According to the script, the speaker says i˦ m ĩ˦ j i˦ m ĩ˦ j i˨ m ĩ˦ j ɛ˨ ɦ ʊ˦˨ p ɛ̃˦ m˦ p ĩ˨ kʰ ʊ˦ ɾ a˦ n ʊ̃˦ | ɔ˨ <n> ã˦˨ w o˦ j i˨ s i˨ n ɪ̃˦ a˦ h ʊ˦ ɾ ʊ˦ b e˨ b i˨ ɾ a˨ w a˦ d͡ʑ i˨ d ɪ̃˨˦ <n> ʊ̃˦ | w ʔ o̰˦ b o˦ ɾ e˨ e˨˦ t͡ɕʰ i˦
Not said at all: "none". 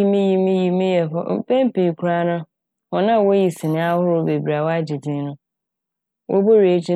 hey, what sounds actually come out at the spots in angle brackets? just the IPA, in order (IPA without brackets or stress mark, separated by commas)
n, n